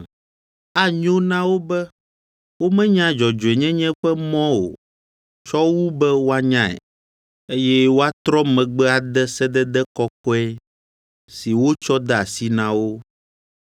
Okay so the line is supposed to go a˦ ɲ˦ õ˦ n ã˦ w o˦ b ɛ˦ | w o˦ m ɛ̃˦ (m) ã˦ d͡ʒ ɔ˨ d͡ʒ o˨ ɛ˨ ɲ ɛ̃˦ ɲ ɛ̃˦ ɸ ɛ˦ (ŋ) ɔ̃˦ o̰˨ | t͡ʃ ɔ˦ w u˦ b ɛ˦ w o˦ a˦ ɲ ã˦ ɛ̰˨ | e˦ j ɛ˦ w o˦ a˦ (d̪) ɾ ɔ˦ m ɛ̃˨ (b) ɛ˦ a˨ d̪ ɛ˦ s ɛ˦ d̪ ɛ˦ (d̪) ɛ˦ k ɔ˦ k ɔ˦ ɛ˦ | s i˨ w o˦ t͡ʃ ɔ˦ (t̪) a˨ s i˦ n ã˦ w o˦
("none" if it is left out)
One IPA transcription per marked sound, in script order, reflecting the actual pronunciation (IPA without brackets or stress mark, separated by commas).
ɲ, m, t̪, ɡ͡b, d̪, d̪